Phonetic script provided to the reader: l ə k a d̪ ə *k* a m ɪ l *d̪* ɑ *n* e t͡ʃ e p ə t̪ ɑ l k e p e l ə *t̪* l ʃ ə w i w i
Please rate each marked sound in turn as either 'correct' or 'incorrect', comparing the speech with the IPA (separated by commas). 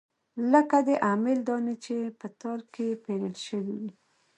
incorrect, correct, correct, incorrect